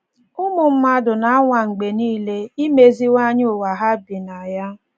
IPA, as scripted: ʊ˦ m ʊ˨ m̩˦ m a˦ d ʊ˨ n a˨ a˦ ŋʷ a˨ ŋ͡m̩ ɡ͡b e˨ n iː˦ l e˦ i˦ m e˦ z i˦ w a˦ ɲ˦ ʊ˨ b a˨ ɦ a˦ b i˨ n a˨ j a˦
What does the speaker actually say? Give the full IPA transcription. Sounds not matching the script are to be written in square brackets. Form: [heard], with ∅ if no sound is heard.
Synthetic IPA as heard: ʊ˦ m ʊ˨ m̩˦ m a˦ d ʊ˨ n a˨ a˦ ŋʷ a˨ ŋ͡m̩ ɡ͡b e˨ n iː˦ l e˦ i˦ m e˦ z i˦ w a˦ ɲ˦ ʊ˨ [w] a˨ ɦ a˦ b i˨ n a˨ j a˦